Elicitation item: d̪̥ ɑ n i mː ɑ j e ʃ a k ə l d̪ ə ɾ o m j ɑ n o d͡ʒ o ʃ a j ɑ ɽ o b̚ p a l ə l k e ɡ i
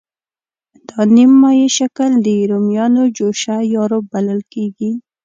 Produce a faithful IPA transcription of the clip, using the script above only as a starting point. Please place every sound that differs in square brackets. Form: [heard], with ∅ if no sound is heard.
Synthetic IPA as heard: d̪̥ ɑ n i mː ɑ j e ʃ a k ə l d̪ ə ɾ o m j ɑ n o d͡ʒ o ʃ a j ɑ [ɾ] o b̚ [b] a l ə l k e ɡ i